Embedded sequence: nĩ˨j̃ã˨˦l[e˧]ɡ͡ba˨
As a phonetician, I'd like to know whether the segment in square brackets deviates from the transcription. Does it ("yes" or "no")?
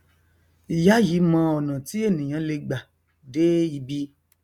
no